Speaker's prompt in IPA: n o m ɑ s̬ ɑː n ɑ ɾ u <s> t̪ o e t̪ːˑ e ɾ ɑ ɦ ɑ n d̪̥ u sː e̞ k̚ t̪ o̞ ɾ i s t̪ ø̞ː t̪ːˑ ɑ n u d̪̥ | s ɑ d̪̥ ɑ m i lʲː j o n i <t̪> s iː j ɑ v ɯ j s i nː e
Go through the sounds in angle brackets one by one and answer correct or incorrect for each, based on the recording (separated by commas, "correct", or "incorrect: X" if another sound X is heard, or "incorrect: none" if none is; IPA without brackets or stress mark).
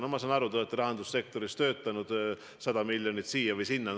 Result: incorrect: none, correct